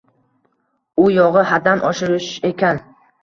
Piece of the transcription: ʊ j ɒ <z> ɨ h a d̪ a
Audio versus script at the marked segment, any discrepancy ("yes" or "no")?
yes